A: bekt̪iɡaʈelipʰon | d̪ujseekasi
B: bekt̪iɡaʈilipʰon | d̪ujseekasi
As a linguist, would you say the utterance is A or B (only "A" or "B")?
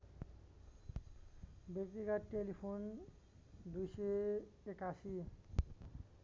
A